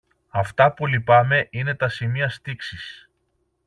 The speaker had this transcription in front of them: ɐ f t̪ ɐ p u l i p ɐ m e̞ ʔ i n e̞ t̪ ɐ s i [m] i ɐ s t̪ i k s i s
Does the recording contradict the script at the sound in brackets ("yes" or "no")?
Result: no